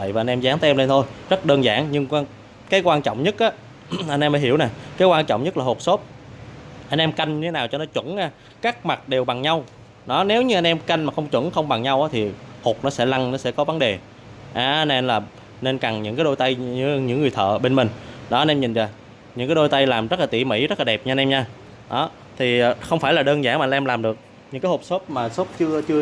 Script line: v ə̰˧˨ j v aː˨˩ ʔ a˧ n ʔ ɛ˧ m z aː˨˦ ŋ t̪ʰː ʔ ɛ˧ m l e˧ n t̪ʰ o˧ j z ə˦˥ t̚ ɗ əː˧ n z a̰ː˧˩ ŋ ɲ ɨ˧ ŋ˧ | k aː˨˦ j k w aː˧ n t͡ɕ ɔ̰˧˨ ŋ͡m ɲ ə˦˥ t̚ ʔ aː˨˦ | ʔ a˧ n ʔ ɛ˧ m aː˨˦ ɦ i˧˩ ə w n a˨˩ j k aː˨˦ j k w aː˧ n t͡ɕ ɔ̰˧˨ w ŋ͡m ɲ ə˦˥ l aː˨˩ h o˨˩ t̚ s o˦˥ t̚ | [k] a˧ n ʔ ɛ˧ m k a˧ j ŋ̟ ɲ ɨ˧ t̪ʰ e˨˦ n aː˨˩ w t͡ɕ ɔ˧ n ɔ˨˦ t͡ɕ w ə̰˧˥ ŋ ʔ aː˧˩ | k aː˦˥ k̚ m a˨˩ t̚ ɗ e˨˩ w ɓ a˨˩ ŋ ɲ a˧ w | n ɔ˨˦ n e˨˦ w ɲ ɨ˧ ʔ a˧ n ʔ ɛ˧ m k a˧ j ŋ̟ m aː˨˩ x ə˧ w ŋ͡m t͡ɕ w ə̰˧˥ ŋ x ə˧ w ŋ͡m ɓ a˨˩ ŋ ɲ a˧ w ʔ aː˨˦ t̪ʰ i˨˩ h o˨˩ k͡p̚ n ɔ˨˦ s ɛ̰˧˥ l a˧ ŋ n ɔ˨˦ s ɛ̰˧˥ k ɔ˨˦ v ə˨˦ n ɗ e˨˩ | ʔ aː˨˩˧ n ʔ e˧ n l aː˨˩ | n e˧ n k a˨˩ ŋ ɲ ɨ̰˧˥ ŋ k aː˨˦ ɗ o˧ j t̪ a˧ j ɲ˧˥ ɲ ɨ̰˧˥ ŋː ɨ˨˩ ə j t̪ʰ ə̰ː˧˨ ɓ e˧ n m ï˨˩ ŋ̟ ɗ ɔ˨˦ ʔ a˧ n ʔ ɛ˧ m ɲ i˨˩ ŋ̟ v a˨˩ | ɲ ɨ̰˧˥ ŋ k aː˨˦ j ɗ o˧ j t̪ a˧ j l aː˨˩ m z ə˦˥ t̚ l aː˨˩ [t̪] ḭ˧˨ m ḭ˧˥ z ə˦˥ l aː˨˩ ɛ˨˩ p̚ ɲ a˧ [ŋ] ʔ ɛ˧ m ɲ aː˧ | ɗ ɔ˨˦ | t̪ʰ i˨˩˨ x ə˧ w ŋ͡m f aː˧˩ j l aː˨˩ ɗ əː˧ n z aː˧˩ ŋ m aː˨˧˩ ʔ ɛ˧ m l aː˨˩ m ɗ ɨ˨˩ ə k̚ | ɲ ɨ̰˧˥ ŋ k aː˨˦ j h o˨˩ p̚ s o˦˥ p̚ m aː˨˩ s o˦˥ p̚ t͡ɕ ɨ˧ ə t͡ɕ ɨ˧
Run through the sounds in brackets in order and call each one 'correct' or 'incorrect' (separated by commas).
incorrect, correct, incorrect